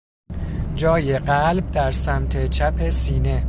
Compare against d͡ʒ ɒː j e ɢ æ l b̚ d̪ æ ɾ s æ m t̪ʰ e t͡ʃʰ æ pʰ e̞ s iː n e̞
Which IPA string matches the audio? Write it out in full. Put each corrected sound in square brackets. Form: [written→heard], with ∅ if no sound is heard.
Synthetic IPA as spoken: d͡ʒ ɒː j e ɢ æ l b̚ d̪ æ ɾ s æ m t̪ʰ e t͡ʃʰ æ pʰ e̞ s iː n e̞